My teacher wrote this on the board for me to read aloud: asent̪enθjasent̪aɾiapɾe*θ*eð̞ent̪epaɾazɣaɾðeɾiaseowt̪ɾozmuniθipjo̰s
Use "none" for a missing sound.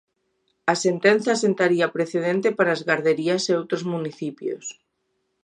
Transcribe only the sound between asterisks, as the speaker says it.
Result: θ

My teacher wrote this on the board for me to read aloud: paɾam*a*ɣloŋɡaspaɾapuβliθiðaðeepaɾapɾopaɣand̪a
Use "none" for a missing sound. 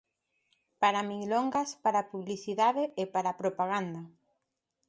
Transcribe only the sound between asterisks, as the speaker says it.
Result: i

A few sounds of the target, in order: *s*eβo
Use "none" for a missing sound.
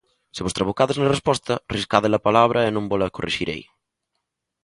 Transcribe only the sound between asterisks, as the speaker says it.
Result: s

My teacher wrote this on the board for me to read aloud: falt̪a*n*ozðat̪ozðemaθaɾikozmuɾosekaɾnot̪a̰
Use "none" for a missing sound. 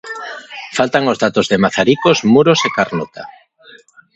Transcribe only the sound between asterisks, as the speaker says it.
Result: ŋ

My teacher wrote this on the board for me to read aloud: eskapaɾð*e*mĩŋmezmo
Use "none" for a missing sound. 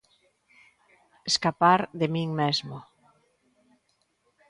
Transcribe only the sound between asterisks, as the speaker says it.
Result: e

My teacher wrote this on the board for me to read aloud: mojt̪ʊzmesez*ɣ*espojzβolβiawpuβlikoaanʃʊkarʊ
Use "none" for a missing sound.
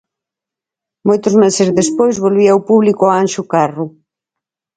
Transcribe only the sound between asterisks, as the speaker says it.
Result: ð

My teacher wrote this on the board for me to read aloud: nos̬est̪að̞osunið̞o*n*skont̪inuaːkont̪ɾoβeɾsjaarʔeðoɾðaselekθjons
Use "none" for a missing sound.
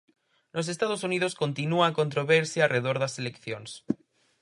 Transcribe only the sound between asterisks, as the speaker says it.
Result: none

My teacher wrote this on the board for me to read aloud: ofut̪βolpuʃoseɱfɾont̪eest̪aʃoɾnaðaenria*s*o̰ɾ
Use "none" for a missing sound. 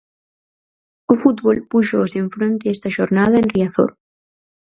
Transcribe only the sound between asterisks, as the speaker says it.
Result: θ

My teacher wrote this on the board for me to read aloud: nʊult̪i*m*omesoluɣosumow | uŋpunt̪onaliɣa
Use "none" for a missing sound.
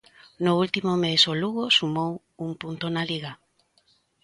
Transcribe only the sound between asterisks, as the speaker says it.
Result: m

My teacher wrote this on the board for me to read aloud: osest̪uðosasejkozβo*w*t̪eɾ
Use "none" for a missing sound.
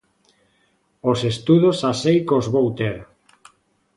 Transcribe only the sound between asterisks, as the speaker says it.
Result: w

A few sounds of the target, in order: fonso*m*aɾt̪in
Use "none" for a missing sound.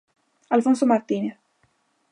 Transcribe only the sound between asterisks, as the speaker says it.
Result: m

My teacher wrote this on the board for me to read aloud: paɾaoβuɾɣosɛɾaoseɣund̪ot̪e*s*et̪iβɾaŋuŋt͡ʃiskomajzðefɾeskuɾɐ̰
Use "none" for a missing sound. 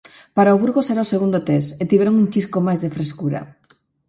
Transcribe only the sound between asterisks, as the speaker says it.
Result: s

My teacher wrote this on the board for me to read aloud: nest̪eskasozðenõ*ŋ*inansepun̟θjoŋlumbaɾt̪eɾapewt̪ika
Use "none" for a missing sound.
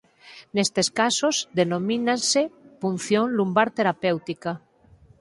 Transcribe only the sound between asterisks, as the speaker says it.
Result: m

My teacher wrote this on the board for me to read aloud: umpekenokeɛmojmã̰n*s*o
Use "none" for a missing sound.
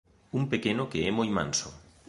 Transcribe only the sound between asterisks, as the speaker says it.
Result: s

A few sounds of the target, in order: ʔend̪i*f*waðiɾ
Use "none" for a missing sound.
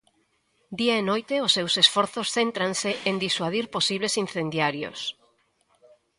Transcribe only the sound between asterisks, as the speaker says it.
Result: s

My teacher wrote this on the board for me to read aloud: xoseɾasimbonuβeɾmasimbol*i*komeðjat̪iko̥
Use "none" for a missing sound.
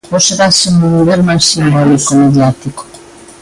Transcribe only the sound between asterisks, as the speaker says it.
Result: i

